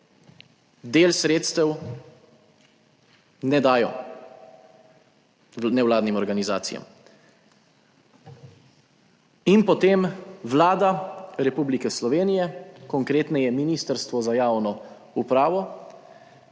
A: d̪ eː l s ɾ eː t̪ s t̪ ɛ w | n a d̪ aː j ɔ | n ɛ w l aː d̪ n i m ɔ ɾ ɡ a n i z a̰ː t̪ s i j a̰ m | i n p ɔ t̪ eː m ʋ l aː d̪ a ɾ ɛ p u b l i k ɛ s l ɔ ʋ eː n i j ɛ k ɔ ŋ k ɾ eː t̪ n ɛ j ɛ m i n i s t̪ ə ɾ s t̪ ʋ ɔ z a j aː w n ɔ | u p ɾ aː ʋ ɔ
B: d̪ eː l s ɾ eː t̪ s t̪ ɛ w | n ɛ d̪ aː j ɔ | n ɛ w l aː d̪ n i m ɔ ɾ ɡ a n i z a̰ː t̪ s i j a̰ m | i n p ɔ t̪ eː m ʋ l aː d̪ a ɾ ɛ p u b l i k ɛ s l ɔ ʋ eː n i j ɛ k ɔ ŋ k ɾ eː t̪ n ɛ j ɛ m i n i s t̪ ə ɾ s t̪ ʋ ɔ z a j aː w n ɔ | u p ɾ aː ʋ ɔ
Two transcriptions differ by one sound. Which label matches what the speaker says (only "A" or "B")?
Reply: B